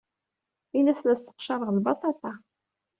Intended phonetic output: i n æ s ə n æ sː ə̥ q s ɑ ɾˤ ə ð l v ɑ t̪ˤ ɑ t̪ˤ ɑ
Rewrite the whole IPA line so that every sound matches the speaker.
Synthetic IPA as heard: i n æ s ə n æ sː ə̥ q ʃ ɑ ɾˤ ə ʁ l b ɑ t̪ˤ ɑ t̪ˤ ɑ